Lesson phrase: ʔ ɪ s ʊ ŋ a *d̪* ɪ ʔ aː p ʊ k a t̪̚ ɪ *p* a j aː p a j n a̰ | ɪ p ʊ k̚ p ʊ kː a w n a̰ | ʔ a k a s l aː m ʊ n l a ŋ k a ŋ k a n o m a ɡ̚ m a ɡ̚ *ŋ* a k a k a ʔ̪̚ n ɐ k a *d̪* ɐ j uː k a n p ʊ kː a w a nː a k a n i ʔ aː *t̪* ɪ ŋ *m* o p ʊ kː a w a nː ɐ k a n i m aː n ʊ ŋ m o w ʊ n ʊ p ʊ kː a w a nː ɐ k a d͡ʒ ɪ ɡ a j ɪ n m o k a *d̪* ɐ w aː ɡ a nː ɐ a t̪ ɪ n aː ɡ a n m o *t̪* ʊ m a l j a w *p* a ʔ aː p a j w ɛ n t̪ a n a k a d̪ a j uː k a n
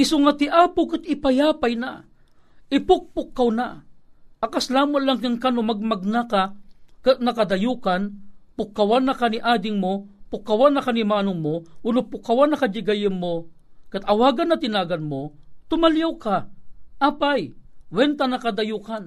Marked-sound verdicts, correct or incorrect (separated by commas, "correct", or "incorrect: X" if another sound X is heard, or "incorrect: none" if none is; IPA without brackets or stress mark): incorrect: t̪, correct, incorrect: n, correct, incorrect: d̪, correct, incorrect: t̪, correct, incorrect: k